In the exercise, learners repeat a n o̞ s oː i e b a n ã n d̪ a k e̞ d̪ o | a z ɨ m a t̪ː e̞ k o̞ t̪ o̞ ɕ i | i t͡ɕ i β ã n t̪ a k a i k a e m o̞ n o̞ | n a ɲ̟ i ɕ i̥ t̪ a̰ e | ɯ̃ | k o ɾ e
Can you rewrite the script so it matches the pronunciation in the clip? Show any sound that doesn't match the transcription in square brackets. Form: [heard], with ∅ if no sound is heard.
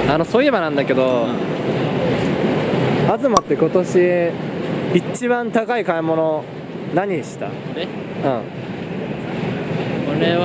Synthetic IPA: a n o̞ s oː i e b a n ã n d̪ a k e̞ d̪ o | a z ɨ m a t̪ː e̞ k o̞ t̪ o̞ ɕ i | i t͡ɕ i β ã n t̪ a k a i k a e m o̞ n o̞ | n a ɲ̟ i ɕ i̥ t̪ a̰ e | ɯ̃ | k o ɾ e